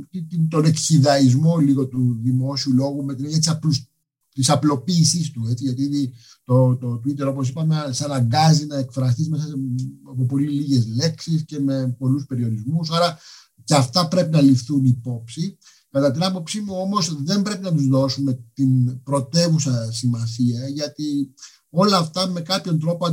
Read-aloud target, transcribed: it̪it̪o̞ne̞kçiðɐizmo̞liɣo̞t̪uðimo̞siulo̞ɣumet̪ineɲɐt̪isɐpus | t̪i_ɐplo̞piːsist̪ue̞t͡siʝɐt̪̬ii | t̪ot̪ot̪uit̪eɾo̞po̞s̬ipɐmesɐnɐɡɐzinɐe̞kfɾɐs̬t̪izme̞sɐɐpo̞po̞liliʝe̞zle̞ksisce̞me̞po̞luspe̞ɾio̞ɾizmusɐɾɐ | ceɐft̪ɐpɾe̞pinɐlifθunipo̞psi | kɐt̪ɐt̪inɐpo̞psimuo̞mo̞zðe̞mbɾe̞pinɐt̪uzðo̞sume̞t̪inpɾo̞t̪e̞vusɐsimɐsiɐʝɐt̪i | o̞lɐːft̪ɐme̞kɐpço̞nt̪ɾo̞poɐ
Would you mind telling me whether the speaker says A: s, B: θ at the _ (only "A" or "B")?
A